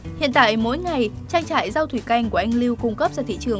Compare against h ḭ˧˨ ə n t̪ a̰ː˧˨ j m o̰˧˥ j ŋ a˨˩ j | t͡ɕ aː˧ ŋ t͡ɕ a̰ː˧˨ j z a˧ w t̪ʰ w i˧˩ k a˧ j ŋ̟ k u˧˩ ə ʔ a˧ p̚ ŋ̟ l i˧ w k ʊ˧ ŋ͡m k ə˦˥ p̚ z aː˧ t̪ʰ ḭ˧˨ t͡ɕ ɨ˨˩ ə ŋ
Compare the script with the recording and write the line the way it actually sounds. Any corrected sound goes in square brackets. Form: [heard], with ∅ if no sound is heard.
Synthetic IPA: h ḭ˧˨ ə n t̪ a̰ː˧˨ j m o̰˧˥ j ŋ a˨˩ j | t͡ɕ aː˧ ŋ t͡ɕ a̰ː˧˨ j z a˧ w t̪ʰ w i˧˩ k a˧ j ŋ̟ k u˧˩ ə ʔ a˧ [∅] ŋ̟ l i˧ w k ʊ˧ ŋ͡m k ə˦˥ p̚ z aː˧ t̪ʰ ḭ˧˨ t͡ɕ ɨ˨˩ ə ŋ